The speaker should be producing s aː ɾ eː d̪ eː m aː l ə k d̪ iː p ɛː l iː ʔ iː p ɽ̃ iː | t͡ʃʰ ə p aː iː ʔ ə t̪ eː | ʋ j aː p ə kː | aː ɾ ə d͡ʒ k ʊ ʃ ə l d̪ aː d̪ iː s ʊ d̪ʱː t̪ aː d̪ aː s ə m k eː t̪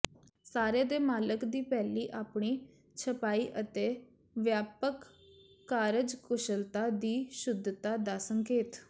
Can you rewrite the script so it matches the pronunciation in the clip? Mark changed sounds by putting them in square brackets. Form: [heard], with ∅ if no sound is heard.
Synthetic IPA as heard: s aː ɾ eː d̪ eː m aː l ə k d̪ iː p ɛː l iː ʔ [aː] p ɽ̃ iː | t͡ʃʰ ə p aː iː ʔ ə t̪ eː | ʋ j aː p ə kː | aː ɾ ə d͡ʒ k ʊ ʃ ə l [t̪] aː d̪ iː [ʃ] ʊ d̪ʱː t̪ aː d̪ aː s ə [ŋ] k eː t̪